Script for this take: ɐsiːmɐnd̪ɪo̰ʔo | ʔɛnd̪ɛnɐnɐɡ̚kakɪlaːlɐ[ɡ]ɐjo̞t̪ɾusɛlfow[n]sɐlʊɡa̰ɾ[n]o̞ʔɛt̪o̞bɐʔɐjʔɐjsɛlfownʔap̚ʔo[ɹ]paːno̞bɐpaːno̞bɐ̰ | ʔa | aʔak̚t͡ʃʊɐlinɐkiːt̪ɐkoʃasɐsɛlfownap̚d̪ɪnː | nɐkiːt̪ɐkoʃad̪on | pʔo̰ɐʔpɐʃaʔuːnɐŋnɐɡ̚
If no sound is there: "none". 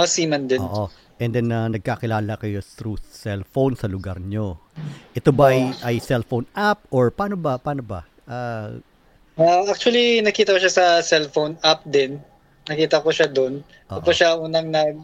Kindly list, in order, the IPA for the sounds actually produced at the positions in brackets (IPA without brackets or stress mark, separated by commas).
k, n, ɲ, ɹ